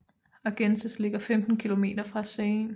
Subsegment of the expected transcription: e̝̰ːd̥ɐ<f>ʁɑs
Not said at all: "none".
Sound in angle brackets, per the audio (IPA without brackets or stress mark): f